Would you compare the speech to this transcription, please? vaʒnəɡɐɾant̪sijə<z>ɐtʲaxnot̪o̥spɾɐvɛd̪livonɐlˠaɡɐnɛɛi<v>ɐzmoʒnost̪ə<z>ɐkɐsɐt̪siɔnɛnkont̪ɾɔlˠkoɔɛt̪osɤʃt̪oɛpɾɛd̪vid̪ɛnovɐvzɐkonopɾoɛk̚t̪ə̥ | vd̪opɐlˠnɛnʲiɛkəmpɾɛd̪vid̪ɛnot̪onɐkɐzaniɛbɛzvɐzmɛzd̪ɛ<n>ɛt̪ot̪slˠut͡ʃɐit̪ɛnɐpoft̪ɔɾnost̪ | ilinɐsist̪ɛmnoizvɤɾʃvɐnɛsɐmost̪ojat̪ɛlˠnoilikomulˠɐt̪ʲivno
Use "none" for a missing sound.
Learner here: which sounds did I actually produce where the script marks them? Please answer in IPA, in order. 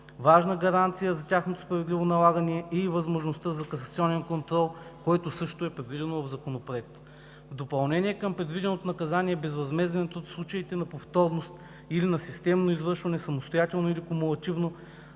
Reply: z, v, z, n

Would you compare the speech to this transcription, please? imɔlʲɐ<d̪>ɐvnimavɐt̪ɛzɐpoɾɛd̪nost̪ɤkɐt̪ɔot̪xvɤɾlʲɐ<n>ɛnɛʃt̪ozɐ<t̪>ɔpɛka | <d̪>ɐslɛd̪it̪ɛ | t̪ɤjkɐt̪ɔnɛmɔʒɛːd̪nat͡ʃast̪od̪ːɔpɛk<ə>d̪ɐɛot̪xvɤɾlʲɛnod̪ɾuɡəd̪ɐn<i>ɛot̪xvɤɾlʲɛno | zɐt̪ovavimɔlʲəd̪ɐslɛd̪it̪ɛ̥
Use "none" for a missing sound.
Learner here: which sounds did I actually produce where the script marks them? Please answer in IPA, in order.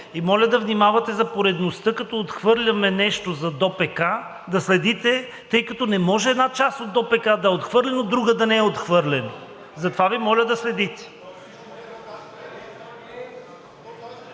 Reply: d̪, m, d̪, d̪, a, ɛ

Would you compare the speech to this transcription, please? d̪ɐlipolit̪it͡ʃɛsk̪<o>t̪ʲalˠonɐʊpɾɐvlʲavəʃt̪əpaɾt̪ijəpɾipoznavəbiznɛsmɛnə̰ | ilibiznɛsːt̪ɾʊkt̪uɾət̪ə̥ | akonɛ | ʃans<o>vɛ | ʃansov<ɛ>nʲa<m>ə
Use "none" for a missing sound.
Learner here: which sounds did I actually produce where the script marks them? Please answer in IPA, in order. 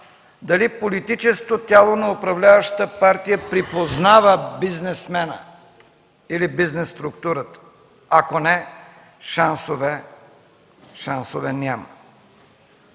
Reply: o, o, ɛ, m

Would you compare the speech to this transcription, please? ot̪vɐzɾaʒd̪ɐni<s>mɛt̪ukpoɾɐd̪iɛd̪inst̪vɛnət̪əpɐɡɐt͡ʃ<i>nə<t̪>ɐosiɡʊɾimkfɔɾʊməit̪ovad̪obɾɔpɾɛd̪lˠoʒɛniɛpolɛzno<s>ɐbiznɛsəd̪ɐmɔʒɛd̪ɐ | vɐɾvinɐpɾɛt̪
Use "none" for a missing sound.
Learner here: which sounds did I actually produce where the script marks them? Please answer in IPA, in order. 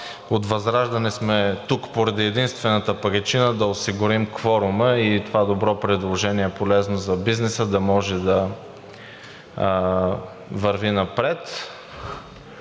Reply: s, i, d̪, z

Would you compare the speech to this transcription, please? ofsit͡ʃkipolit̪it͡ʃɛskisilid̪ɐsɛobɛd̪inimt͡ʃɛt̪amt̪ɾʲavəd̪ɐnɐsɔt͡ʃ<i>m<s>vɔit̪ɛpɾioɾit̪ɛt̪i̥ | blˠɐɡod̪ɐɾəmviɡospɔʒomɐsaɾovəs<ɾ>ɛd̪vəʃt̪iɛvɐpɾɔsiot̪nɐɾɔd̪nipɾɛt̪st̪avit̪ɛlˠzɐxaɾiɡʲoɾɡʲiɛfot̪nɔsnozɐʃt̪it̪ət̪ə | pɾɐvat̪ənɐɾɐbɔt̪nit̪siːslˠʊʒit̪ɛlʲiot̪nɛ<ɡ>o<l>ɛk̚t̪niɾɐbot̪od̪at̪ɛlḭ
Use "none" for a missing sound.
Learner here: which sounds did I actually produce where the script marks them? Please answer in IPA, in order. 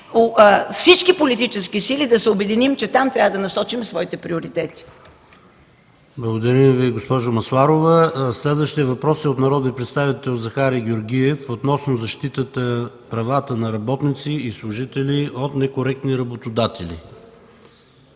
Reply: i, s, l, k, ɾ

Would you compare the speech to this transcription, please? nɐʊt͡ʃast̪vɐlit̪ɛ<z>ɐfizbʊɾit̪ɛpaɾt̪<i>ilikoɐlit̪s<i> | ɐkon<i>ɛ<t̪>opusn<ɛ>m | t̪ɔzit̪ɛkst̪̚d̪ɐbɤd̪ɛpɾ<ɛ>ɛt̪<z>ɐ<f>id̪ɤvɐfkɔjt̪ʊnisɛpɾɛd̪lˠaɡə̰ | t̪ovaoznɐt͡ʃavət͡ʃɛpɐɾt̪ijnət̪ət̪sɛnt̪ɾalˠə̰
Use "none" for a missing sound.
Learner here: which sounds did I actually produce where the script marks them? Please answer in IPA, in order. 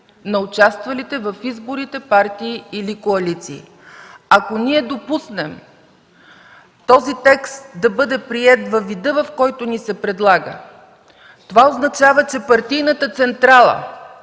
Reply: v, iː, iː, i, d̪, ɛ, i, v, v

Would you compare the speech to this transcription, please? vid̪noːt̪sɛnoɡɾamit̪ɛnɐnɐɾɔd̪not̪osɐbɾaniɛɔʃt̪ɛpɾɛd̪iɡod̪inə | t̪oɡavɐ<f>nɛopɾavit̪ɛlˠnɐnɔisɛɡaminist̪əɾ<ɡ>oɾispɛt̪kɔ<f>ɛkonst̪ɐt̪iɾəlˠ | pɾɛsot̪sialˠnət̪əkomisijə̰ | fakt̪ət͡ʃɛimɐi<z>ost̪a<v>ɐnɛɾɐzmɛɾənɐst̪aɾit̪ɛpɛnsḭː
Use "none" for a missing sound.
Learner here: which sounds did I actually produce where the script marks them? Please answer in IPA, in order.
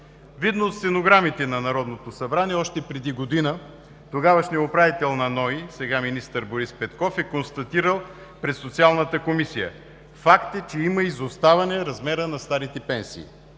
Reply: ʃ, b, f, z, v

